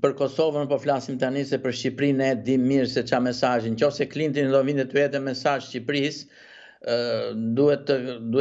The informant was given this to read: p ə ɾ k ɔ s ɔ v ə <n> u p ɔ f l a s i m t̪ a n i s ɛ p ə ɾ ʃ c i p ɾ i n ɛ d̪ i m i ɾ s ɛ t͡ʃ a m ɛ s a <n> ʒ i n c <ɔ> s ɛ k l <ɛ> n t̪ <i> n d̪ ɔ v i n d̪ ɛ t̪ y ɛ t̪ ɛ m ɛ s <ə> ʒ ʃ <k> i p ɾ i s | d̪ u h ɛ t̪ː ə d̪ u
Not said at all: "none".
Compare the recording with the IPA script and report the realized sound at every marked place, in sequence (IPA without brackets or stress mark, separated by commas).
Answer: n, none, ɔ, i, i, a, c